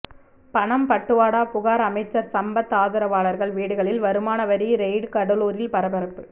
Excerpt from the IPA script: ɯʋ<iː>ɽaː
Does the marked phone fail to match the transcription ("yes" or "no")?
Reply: yes